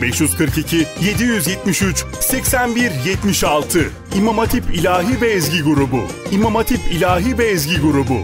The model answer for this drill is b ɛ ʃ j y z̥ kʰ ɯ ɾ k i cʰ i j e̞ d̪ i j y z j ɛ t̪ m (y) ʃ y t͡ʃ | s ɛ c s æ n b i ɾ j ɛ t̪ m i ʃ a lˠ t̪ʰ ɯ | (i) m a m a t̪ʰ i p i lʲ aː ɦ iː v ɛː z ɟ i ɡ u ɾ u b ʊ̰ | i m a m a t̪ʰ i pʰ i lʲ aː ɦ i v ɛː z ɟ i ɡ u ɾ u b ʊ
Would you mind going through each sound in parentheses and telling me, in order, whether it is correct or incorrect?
incorrect, correct

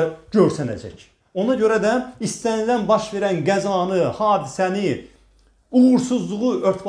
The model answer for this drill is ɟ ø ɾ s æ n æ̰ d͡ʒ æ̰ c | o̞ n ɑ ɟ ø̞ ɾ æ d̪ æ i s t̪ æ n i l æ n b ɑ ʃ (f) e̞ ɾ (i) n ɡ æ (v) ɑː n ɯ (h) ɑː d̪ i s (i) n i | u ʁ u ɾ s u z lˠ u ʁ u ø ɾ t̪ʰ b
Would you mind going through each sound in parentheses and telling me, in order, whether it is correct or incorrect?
incorrect, incorrect, incorrect, correct, incorrect

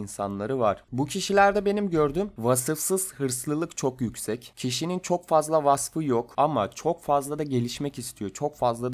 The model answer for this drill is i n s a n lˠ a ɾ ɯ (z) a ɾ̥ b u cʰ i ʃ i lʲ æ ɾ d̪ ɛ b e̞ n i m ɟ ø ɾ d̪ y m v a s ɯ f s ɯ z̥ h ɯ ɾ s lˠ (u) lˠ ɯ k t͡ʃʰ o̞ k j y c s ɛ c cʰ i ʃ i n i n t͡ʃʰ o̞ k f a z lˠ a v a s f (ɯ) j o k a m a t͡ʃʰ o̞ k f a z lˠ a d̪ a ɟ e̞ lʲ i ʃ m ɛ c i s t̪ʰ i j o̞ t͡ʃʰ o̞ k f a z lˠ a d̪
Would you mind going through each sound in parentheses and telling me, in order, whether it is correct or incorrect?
incorrect, incorrect, correct

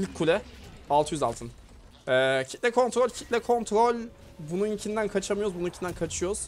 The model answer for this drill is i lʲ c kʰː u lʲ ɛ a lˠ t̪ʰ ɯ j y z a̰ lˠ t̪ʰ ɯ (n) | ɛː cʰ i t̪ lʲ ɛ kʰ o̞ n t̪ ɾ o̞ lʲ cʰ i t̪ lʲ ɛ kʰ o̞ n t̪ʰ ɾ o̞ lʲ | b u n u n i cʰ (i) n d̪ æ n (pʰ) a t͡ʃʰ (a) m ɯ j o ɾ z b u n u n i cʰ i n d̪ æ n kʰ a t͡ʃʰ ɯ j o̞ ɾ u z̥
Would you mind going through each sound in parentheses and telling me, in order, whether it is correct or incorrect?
correct, correct, incorrect, correct

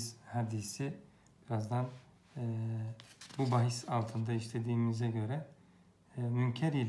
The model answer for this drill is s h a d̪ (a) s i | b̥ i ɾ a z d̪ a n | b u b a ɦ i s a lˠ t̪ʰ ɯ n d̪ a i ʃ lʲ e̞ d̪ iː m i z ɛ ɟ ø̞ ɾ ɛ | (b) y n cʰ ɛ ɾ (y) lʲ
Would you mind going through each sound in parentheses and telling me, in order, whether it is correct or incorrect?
incorrect, incorrect, incorrect

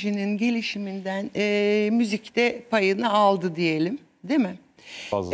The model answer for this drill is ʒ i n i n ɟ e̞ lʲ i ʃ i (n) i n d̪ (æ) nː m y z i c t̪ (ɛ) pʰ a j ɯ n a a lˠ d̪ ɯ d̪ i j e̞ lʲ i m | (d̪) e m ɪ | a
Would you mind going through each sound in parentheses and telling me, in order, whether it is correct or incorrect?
incorrect, correct, correct, correct

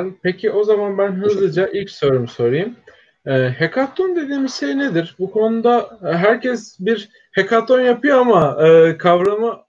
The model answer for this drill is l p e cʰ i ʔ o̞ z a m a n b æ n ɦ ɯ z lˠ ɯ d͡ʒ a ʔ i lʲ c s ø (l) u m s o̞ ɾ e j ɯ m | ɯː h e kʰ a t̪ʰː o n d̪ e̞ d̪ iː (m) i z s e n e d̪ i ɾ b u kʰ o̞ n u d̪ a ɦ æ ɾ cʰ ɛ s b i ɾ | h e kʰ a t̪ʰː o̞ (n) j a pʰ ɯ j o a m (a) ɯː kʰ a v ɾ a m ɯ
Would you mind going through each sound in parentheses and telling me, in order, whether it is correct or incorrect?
incorrect, correct, correct, correct

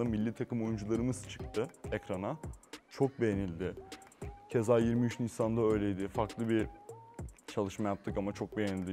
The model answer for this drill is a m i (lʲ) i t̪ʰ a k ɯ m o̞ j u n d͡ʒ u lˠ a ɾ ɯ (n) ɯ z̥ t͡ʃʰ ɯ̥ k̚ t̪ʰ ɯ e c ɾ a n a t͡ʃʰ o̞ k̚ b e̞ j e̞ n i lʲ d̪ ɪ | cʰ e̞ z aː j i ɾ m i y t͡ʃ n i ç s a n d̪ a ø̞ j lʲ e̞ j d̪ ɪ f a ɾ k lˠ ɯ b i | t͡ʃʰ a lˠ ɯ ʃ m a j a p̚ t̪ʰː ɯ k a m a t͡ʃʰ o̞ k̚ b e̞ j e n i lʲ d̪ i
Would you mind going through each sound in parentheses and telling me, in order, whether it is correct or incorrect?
incorrect, incorrect

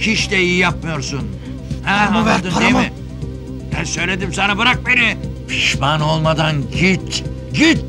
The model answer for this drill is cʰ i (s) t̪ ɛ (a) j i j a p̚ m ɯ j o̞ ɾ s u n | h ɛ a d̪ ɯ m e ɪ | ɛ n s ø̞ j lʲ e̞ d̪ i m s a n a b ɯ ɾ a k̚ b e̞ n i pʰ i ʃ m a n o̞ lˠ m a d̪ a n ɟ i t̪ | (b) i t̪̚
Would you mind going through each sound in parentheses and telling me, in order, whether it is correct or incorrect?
incorrect, incorrect, incorrect

